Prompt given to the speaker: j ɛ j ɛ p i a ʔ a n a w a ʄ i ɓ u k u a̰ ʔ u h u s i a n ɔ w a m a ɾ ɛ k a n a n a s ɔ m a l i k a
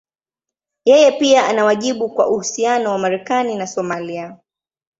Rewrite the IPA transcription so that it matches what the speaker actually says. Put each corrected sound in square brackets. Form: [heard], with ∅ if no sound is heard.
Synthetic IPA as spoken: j ɛ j ɛ p i a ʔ a n a w a ʄ i ɓ u k [w] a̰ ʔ u h u s i a n ɔ w a m a ɾ ɛ k a n [i] n a s ɔ m a l i [∅] a